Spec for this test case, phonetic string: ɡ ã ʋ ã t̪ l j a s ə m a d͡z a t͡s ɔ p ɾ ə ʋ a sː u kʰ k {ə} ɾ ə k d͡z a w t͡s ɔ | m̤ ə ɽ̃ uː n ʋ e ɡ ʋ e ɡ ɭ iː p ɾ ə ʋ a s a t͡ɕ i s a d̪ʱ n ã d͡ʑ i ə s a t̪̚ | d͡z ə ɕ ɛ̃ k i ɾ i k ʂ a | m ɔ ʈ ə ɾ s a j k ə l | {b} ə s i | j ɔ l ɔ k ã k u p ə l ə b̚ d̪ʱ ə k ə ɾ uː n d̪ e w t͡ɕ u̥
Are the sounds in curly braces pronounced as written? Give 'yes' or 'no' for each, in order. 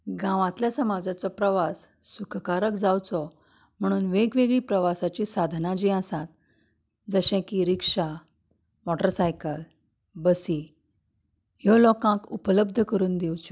no, yes

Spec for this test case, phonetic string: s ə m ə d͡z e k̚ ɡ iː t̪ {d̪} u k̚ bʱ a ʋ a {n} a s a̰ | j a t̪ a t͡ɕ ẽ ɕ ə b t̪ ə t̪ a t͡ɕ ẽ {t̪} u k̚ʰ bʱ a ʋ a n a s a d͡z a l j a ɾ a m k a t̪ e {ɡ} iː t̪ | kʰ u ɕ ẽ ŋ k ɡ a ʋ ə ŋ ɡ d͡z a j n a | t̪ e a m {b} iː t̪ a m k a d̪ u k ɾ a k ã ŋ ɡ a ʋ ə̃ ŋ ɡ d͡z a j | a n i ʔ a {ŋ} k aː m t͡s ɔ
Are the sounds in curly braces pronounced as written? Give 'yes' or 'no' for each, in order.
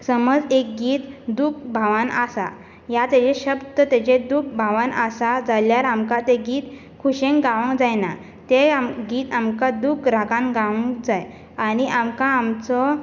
yes, yes, no, yes, no, no

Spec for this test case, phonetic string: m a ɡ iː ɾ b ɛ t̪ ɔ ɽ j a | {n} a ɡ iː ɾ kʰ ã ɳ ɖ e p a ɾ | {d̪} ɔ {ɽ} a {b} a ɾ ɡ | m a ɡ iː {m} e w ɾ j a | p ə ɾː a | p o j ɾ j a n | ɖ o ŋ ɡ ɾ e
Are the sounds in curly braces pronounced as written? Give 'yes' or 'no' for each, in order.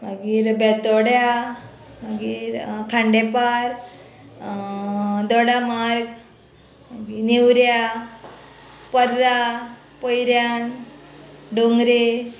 no, yes, yes, no, no

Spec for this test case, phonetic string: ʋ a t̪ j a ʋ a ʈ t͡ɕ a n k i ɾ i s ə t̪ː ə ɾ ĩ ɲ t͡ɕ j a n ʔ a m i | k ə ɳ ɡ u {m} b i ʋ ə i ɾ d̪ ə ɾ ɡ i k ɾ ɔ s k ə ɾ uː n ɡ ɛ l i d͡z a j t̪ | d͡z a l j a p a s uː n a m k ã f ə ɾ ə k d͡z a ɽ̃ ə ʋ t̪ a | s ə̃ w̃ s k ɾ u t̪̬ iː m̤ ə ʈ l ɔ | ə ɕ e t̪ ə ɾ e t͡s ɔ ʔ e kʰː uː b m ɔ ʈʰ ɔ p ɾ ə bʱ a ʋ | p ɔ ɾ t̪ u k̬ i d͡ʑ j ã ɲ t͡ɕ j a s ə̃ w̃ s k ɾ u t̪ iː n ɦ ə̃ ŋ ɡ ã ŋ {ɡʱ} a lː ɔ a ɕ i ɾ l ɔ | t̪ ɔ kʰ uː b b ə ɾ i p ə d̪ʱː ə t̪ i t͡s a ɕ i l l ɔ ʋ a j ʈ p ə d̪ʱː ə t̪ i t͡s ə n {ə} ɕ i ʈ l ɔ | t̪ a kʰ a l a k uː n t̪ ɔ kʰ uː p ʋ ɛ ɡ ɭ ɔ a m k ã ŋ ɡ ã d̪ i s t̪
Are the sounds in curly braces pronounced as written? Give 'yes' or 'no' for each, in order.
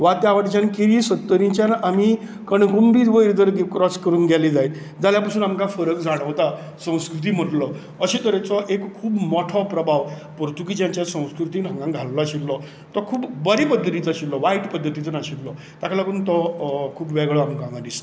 yes, yes, no

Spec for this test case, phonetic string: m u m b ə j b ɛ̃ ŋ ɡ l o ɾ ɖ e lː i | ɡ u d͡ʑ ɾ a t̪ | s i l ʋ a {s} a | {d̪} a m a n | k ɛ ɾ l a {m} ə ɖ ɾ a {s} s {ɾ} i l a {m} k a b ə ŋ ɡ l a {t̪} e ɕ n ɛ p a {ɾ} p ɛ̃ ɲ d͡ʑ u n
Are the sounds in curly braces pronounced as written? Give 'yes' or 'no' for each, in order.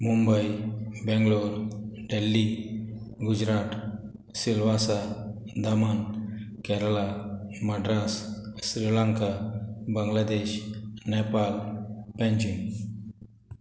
yes, yes, yes, yes, yes, no, no, no

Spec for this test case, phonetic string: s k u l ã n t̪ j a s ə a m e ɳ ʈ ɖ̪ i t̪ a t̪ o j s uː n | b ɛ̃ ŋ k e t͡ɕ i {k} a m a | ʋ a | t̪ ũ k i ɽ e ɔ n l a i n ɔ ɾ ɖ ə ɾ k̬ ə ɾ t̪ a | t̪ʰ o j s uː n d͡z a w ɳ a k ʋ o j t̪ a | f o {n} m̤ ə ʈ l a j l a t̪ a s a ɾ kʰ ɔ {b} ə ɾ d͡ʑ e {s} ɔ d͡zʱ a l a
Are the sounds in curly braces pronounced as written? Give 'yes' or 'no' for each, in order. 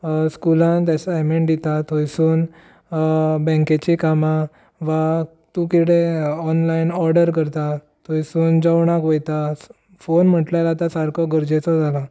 yes, yes, no, no

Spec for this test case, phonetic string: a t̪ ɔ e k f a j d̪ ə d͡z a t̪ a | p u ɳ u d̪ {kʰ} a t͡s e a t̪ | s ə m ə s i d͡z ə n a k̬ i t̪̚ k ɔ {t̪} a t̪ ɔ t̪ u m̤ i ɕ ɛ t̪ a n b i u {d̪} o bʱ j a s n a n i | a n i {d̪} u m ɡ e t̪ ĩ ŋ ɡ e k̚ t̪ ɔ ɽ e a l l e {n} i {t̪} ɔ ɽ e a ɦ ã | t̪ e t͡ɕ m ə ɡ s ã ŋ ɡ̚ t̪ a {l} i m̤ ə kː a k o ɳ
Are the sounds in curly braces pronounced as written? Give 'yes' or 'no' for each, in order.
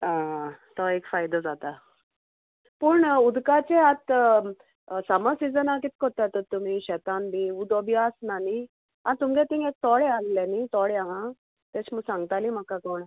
no, yes, yes, no, yes, yes, yes

